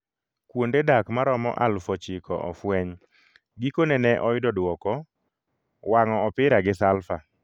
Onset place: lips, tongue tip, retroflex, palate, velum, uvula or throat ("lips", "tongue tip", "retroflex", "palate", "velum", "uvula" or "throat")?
velum